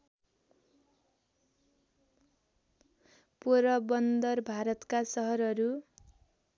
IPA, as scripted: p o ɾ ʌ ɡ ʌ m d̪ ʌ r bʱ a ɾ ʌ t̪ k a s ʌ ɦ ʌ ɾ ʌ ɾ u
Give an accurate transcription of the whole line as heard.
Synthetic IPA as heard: p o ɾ ʌ b ʌ n d̪ ʌ r bʱ a ɾ ʌ t̪ k a s ʌ ɦ ʌ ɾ ʌ ɾ u

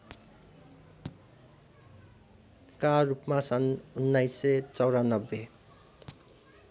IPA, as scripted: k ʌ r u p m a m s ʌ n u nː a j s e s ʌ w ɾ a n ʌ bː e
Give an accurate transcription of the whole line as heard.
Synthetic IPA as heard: k a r u p m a s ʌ n u nː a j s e t͡s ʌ w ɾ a n ʌ bː e

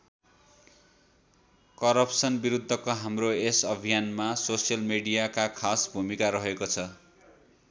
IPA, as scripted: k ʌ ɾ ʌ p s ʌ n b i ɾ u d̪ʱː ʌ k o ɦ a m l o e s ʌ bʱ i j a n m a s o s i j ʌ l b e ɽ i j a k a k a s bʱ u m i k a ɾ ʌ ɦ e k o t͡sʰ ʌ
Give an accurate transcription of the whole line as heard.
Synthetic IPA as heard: k ʌ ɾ ʌ p s ʌ n b i ɾ u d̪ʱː ʌ k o ɦ a m r o e s ʌ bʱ i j a n m a s o s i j ʌ l m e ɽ i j a k a kʰ a s bʱ u m i k a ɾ ʌ ɦ e k o t͡sʰ ʌ

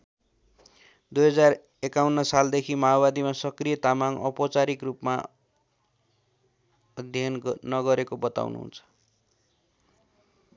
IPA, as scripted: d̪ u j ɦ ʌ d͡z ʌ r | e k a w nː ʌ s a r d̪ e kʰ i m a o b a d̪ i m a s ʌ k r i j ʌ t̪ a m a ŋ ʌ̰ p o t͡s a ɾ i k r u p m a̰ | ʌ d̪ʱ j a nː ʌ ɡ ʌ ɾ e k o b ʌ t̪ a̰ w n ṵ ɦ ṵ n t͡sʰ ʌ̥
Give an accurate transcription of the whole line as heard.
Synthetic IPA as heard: d̪ u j ɦ ʌ d͡z a r | e k a w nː ʌ s a l d̪ e kʰ i m a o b a d̪ i m a s ʌ k r i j ʌ t̪ a m a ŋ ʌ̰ p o t͡s a ɾ i k r u p m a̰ | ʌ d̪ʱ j ʌ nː ʌ ɡ ʌ ɾ e k o b ʌ t̪ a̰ w n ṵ ɦ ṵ n t͡sʰ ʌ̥

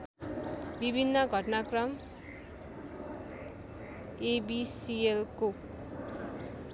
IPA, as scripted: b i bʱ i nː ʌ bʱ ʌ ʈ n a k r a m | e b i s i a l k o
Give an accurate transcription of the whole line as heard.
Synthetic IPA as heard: b i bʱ i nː ʌ ɡʱ ʌ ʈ n a k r ʌ m | e b i s i e l k o

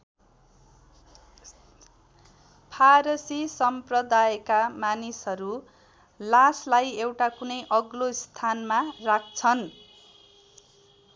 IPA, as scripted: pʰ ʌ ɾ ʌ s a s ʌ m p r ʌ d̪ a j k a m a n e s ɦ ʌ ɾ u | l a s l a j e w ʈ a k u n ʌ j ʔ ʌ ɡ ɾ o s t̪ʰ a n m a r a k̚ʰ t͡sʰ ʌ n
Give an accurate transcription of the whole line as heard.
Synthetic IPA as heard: pʰ a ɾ ʌ s i s ʌ m p r ʌ d̪ a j k a m a n i s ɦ ʌ ɾ u | l a s l a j e w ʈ a k u n ʌ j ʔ ʌ ɡ l o s t̪ʰ a n m a r a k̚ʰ t͡sʰ ʌ n

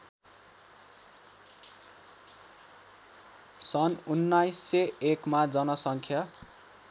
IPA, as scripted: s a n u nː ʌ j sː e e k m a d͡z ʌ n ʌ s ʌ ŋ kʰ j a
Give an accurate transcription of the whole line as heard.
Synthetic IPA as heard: s ʌ n u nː a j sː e e k m a d͡z ʌ n ʌ s ʌ ŋ kʰ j a

